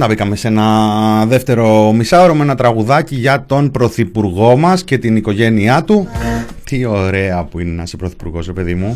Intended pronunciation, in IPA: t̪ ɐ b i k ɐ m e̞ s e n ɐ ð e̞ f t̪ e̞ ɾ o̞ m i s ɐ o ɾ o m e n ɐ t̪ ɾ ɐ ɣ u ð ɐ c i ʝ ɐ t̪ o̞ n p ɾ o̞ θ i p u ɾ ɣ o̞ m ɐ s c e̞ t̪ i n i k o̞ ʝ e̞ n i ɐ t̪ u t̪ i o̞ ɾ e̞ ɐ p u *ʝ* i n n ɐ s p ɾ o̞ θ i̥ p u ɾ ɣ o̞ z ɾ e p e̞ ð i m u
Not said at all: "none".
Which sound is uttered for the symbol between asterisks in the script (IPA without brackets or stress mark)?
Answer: none